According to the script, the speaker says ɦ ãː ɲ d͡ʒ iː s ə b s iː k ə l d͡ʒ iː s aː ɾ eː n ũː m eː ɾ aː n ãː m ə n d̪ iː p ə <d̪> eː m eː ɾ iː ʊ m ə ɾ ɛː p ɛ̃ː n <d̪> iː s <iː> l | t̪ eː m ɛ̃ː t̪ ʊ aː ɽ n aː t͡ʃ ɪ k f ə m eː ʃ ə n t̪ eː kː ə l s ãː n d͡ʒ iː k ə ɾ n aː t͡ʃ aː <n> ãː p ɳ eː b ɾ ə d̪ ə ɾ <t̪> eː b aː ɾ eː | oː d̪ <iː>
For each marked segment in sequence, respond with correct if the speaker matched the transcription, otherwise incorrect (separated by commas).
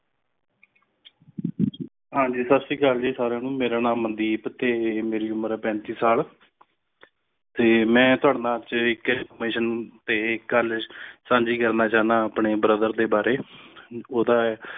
incorrect, incorrect, incorrect, correct, incorrect, incorrect